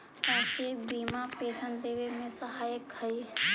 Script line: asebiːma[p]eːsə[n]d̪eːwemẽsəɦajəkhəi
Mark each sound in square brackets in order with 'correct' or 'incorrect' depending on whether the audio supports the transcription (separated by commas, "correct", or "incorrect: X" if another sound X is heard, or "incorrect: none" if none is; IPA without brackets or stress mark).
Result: correct, correct